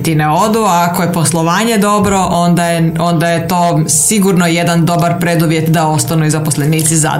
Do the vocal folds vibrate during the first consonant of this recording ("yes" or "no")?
no